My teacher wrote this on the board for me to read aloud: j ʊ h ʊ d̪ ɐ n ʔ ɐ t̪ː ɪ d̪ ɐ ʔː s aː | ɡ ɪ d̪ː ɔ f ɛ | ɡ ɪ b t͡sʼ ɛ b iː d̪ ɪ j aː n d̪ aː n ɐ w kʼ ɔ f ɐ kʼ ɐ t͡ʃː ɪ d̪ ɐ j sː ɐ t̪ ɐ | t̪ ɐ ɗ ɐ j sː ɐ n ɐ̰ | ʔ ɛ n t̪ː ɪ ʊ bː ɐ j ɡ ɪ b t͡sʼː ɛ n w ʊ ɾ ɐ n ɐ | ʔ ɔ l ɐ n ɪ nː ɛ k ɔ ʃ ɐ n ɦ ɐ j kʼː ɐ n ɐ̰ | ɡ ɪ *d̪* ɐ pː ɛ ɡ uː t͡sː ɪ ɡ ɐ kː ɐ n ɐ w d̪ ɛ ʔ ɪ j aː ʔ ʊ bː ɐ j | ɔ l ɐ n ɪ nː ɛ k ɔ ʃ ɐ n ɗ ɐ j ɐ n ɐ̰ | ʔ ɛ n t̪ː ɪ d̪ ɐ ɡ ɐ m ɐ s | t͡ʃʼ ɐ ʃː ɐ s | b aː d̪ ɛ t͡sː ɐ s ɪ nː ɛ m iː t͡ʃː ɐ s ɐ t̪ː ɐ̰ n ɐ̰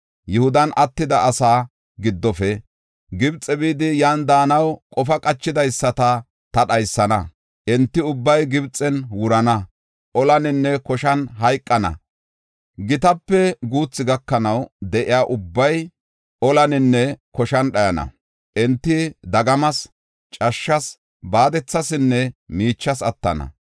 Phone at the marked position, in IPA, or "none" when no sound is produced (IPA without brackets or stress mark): t̪